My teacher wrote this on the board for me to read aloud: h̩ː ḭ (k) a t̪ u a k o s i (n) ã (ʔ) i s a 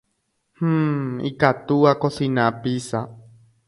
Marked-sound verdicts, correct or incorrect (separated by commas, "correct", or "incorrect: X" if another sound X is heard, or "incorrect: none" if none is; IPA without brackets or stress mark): correct, correct, incorrect: p